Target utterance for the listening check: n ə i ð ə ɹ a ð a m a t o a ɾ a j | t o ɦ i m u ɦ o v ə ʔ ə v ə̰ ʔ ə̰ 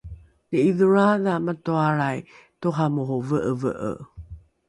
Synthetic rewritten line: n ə i ð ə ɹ a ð a m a t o a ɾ a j | t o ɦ a m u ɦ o v ə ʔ ə v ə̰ ʔ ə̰